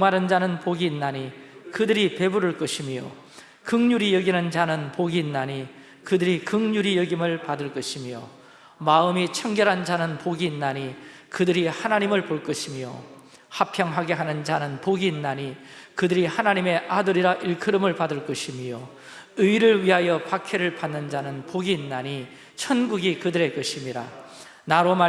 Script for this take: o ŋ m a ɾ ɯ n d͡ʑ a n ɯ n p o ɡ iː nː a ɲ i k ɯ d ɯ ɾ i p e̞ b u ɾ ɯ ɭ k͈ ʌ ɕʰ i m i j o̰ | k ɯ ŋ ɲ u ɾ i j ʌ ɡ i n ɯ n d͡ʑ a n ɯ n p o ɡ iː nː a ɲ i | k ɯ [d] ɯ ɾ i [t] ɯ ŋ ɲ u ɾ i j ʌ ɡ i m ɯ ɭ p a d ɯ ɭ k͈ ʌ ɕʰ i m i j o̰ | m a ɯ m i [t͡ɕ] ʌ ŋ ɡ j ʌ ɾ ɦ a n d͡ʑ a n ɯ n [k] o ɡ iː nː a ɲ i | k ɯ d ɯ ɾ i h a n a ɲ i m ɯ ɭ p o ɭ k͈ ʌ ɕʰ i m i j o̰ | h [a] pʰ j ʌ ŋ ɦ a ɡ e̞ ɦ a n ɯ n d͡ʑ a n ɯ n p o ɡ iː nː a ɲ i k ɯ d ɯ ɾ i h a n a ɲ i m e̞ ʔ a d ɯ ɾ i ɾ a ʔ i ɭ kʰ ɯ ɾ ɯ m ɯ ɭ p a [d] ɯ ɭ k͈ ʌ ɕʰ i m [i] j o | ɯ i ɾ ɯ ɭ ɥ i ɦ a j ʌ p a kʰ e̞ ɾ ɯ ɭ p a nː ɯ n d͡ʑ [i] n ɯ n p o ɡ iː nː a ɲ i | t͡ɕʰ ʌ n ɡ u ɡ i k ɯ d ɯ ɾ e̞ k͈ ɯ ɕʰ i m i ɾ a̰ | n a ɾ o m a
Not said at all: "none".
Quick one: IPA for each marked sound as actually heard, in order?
d, k, t͡ɕʰ, p, a, d, i, a

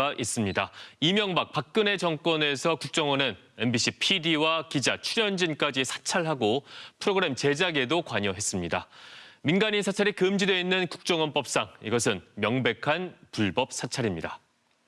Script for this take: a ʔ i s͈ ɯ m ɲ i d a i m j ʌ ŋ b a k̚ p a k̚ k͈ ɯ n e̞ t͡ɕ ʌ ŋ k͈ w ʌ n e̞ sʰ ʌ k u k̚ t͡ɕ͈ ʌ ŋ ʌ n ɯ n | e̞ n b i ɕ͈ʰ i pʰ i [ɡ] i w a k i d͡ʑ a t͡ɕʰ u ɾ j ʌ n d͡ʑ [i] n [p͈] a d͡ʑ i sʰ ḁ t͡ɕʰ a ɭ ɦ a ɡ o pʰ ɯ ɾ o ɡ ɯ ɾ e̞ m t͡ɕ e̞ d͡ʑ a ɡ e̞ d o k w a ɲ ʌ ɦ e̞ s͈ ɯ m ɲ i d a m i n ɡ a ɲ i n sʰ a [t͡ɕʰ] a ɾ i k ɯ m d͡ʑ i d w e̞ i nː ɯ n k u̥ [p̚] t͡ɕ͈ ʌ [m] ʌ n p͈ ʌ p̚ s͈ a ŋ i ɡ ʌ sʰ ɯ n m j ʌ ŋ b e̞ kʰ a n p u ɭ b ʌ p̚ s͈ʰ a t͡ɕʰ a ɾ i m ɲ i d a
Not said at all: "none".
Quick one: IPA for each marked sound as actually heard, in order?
d, i, k͈, t͡ɕʰ, k̚, ŋ

